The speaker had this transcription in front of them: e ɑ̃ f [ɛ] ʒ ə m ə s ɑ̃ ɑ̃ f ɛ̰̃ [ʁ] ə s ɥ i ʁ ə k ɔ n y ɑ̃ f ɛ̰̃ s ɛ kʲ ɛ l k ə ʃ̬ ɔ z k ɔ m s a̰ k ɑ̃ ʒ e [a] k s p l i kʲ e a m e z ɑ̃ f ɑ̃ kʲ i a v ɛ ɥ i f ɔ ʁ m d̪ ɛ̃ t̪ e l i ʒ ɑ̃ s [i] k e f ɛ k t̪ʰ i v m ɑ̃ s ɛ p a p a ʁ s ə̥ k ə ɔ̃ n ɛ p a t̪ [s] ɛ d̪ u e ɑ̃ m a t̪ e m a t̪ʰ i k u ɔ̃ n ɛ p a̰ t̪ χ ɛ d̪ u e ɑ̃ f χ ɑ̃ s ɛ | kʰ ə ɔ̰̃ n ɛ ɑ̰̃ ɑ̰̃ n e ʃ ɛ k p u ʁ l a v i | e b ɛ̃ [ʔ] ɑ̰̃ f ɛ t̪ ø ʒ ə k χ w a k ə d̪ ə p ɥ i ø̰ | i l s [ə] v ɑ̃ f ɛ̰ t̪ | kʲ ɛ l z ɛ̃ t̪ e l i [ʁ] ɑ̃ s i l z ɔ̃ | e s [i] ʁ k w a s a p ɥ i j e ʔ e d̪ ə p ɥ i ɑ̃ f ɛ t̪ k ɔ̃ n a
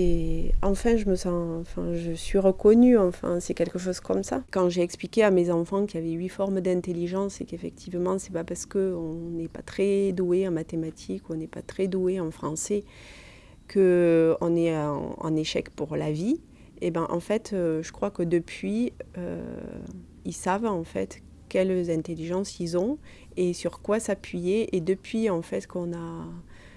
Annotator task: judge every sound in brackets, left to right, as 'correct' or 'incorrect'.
incorrect, incorrect, incorrect, incorrect, incorrect, correct, incorrect, incorrect, incorrect

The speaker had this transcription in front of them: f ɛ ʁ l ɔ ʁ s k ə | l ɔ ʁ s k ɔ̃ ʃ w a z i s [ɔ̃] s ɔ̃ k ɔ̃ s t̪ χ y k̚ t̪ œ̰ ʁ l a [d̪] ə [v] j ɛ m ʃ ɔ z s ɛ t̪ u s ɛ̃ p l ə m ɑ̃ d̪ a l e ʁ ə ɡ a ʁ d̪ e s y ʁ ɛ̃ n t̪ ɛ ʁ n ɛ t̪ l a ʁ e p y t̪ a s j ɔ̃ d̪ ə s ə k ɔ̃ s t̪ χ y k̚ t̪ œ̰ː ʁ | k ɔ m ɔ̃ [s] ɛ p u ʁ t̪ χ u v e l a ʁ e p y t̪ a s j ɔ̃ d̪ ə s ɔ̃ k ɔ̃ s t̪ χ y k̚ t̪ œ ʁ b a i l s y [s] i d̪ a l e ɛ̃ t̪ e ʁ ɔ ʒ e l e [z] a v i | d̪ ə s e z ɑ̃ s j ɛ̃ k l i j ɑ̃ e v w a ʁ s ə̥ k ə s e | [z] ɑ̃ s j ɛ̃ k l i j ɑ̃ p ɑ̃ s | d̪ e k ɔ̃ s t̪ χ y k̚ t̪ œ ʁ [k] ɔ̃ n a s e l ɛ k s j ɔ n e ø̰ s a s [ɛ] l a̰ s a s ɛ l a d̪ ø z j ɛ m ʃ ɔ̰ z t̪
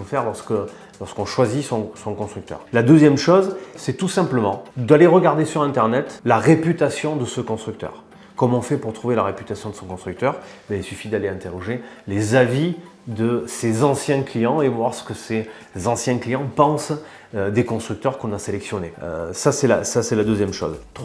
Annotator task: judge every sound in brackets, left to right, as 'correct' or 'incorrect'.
correct, correct, incorrect, incorrect, incorrect, correct, correct, correct, correct

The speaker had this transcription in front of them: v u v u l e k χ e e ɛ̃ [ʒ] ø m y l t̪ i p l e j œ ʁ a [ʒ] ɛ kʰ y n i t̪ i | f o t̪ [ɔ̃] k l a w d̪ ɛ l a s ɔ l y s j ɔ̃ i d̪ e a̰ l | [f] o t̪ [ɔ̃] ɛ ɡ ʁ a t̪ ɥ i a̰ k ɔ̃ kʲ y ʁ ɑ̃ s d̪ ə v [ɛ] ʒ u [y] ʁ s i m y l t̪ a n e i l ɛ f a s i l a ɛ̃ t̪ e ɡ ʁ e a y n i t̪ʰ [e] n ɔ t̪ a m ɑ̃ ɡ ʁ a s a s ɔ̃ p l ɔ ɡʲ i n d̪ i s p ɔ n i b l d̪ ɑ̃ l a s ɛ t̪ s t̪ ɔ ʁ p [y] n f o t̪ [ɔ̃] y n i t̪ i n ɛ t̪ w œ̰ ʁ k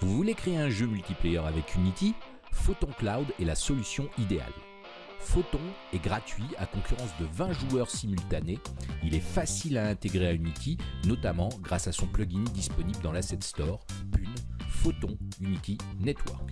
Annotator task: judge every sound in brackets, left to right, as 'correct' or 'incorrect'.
correct, incorrect, correct, correct, correct, incorrect, incorrect, incorrect, correct, correct

